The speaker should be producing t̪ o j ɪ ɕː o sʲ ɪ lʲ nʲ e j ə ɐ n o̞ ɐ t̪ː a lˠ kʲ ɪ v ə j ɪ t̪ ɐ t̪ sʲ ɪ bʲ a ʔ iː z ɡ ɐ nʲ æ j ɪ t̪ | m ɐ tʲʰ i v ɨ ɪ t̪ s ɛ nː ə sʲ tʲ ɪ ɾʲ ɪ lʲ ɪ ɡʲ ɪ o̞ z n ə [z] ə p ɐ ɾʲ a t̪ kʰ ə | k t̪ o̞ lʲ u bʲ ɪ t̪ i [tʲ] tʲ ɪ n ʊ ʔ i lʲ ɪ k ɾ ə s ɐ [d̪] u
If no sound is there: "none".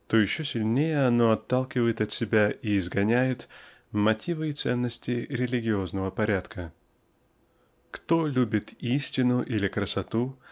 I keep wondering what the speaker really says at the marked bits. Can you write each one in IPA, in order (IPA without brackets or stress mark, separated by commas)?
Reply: v, sʲ, t̪